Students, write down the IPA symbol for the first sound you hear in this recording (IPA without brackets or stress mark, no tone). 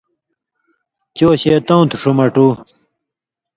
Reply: t͡ɕ